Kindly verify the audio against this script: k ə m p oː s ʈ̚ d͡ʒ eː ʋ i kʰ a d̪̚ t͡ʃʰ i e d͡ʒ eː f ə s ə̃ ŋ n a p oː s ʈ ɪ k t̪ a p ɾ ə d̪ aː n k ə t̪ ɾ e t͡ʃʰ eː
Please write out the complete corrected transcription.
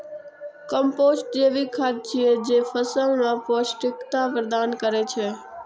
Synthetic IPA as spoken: k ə m p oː s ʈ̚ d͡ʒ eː ʋ i kʰ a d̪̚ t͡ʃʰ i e d͡ʒ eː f ə s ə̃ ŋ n a p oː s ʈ ɪ k t̪ a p ɾ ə d̪ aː n k ə ɾ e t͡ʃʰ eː